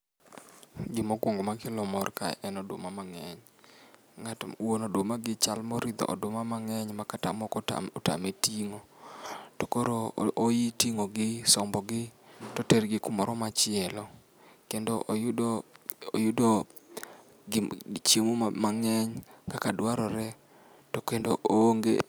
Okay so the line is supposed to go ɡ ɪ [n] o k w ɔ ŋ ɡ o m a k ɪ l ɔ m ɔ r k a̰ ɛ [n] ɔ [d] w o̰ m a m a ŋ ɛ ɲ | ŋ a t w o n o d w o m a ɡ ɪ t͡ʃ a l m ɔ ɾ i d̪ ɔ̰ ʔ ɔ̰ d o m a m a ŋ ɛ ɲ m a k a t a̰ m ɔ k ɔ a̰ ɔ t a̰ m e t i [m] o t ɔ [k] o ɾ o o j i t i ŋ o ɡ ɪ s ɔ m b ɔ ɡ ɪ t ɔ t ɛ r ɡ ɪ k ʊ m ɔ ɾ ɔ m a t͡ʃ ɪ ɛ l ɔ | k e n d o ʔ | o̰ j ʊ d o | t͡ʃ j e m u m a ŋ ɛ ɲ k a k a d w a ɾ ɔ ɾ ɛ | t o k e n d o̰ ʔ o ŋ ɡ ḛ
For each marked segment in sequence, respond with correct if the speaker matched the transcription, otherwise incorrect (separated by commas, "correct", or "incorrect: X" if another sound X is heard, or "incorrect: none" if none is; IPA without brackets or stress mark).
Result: incorrect: m, correct, correct, incorrect: ŋ, correct